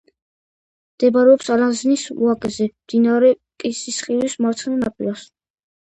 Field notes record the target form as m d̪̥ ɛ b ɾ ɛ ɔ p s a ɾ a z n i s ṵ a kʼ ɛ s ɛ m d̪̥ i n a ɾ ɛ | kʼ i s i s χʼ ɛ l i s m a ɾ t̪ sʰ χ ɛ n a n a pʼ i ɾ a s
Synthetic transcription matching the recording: m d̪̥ ɛ b ɾ ɛ ɔ p s a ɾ a z n i s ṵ a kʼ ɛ z ɛ m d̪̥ i n a ɾ ɛ | kʼ i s i s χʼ i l i s m a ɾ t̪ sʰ χ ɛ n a n a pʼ i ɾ a s